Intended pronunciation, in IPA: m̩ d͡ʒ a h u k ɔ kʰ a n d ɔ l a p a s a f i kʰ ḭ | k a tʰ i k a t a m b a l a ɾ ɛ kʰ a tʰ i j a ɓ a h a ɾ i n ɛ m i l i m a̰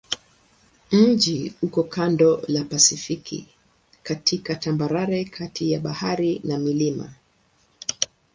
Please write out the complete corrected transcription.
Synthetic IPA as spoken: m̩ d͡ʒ i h u k ɔ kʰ a n d ɔ l a p a s i f i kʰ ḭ | k a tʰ i k a t a m b a ɾ a ɾ ɛ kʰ a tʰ i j a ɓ a h a ɾ i n a m i l i m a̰